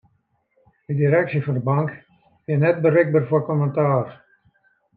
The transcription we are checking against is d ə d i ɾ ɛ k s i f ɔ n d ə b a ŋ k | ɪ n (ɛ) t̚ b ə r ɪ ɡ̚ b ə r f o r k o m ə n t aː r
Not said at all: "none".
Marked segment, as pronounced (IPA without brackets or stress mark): ɛ